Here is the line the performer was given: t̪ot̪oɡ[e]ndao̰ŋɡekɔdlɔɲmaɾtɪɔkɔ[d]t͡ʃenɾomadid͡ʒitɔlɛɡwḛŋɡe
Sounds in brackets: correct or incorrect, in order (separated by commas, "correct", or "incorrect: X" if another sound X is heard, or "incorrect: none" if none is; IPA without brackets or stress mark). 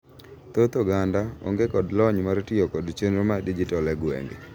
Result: incorrect: a, correct